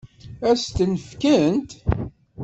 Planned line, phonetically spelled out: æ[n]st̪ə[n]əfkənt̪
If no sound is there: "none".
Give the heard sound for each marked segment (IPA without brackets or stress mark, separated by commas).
none, n